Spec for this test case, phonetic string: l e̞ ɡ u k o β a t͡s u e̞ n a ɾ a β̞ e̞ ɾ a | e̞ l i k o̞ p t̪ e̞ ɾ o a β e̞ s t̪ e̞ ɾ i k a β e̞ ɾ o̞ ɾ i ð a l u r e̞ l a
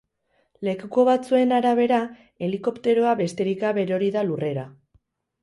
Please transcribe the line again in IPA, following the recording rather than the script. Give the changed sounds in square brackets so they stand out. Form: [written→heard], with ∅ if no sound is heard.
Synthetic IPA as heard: l e̞ [ɡ→k] u k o β a t͡s u e̞ n a ɾ a β̞ e̞ ɾ a | e̞ l i k o̞ p t̪ e̞ ɾ o a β e̞ s t̪ e̞ ɾ i k a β e̞ ɾ o̞ ɾ i ð a l u r e̞ [l→ɾ] a